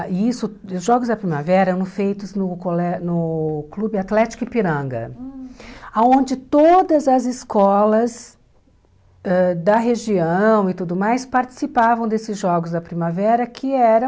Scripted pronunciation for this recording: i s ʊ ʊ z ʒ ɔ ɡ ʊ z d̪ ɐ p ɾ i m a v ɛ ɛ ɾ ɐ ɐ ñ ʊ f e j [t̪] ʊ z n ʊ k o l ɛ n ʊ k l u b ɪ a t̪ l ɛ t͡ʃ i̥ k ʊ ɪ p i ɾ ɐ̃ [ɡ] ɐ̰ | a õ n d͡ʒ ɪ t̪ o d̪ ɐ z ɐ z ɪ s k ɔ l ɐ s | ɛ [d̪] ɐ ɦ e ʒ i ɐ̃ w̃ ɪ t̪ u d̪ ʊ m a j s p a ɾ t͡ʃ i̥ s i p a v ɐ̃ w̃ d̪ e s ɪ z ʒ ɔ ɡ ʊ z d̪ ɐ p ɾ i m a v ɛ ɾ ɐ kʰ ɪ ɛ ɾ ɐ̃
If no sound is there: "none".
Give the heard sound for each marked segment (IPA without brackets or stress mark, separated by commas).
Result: t̪, ɡ, d̪